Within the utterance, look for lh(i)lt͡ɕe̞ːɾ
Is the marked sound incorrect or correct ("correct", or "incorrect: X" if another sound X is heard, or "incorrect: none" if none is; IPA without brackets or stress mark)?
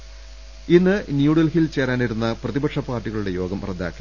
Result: correct